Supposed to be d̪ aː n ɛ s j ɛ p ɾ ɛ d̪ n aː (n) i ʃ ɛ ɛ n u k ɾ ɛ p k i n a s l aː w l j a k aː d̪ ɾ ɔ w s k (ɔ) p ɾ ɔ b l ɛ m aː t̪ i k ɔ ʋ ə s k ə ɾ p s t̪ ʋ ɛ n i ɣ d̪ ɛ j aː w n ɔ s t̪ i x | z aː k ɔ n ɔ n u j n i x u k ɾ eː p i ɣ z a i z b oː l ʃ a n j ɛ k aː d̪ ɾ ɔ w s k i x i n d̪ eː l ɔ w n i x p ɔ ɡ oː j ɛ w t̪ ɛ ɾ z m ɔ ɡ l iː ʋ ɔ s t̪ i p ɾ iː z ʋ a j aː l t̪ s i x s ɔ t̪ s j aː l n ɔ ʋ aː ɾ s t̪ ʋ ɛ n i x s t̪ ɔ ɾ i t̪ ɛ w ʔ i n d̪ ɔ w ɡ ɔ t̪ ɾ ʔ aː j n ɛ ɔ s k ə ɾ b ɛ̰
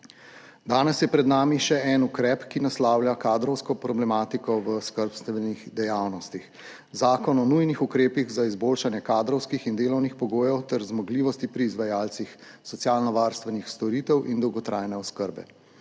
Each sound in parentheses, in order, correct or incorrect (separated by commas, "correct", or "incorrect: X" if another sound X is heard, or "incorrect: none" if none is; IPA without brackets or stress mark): incorrect: m, correct